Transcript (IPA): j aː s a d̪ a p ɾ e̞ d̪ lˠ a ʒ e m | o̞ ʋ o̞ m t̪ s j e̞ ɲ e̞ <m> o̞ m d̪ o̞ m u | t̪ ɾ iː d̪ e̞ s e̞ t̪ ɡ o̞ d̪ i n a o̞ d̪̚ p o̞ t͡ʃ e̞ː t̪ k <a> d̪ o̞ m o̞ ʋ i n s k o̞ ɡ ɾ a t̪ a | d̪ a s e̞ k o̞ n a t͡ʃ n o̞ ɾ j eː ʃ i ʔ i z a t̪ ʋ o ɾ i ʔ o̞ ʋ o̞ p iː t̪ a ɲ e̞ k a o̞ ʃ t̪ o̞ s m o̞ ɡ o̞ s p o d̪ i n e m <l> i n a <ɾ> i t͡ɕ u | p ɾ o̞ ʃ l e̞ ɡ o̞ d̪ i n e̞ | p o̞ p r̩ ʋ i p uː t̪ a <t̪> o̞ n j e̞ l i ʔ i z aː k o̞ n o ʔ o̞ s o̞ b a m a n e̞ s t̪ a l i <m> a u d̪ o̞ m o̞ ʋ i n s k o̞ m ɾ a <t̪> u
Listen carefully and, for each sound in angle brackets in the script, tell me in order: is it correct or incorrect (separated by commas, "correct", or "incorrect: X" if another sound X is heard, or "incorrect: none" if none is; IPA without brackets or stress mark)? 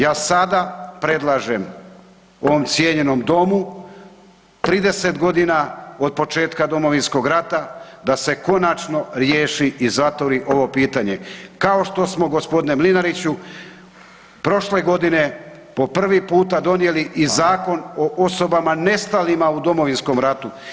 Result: incorrect: n, correct, correct, correct, incorrect: d̪, correct, correct